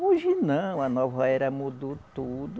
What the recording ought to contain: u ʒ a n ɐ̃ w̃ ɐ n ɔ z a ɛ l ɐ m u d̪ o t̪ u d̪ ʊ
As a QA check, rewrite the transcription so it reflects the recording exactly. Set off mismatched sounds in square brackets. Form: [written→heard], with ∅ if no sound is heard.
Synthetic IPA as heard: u ʒ [a→i] n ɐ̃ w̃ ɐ n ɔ [z→v] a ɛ [l→ɾ] ɐ m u d̪ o t̪ u d̪ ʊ